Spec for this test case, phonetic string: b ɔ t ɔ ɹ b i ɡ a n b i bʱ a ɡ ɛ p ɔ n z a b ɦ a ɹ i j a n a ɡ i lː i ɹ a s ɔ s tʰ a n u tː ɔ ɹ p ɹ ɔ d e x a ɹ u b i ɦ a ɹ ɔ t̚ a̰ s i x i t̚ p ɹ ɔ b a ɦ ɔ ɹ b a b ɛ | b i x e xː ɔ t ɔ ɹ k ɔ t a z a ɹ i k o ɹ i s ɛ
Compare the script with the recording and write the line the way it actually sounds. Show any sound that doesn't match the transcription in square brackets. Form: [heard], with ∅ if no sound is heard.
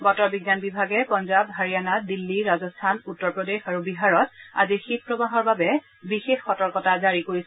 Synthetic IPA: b ɔ t ɔ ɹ b i ɡ a n b i bʱ a ɡ ɛ p ɔ n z a b ɦ a ɹ i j a n a [d] i lː i ɹ a [z] ɔ s tʰ a n u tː ɔ ɹ p ɹ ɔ d e x a ɹ u b i ɦ a ɹ ɔ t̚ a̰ [z] i x i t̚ p ɹ ɔ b a ɦ ɔ ɹ b a b ɛ | b i x e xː ɔ t ɔ ɹ k ɔ t a z a ɹ i k o ɹ i s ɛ